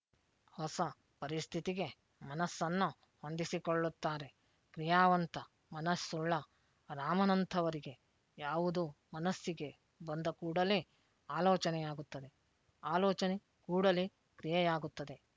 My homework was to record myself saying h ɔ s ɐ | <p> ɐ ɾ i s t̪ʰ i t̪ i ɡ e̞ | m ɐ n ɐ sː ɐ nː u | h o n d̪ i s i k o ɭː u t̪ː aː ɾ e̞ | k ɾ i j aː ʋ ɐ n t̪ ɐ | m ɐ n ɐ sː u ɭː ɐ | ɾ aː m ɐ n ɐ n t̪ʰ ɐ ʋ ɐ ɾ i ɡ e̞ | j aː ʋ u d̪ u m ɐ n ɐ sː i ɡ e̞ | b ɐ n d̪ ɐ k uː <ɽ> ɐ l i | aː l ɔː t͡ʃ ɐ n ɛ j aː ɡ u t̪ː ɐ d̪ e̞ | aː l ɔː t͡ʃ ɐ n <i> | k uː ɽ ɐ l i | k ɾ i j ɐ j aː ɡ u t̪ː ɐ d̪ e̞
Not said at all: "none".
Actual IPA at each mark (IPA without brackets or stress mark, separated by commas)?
p, ɽ, e